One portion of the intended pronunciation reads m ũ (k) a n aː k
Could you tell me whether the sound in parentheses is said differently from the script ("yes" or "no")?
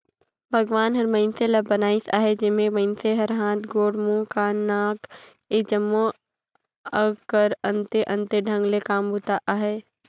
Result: no